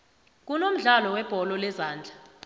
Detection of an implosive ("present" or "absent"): absent